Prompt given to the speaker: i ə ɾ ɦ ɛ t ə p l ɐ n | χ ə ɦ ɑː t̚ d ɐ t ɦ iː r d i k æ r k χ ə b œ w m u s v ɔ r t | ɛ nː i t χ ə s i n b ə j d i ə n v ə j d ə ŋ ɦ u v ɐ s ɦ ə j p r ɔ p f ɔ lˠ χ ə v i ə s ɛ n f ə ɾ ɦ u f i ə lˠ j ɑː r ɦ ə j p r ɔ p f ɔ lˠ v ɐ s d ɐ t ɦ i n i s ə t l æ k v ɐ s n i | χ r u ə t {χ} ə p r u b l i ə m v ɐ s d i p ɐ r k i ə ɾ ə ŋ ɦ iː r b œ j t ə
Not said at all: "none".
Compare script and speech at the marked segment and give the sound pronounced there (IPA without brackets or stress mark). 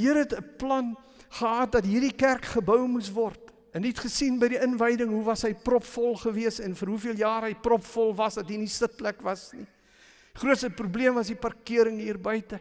s